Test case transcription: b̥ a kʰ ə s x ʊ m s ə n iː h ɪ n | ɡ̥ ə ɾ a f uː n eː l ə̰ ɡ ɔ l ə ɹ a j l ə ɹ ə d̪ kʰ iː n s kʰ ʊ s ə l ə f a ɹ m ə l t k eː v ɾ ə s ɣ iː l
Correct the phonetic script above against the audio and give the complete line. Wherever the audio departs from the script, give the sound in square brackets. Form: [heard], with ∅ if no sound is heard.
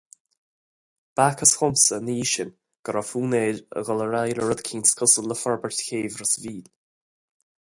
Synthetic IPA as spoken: b̥ a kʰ ə s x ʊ m s ə n iː [ʃ] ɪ n | ɡ̥ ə ɾ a f uː n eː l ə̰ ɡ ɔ l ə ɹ a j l ə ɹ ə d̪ kʰ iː n s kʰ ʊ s ə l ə f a ɹ [b] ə [ɹ] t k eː v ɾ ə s [v] iː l